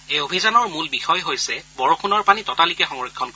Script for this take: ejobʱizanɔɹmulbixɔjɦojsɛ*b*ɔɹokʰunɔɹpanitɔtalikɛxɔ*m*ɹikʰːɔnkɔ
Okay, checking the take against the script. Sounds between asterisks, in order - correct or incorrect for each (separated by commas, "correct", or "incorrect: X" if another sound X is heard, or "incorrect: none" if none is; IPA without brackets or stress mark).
correct, incorrect: ŋ